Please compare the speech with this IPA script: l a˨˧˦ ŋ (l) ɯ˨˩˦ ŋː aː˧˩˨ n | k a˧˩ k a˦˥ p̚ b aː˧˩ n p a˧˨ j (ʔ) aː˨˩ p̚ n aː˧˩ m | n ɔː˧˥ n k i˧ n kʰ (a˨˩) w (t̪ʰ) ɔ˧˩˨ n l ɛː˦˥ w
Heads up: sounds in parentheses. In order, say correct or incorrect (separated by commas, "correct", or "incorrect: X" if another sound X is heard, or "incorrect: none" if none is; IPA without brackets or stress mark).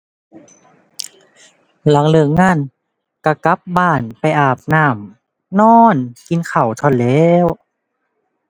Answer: correct, correct, correct, correct